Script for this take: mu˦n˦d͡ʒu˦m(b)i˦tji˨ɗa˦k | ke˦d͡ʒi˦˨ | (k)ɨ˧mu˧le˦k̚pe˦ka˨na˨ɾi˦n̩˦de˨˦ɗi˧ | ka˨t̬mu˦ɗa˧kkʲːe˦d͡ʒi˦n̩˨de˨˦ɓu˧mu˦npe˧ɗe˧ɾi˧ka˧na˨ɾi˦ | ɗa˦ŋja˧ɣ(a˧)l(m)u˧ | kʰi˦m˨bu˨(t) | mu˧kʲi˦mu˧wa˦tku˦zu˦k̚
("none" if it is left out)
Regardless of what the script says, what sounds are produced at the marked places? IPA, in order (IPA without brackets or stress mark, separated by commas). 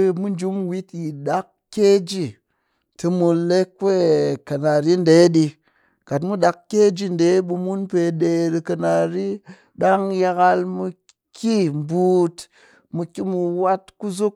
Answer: w, t, a˧, m, t